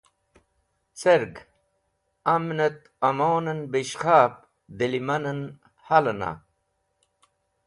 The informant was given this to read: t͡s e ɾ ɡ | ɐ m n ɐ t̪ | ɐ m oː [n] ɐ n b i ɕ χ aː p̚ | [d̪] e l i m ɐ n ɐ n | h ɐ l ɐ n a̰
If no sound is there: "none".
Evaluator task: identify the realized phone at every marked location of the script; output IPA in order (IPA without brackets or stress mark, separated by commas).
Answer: n, d̪